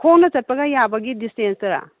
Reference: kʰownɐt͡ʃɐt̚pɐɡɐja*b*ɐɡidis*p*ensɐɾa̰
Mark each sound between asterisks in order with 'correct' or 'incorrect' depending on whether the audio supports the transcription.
correct, incorrect: t

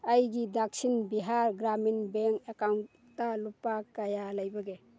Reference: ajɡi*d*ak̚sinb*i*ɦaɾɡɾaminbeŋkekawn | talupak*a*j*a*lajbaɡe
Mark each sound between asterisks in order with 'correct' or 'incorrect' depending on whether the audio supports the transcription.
correct, correct, correct, correct

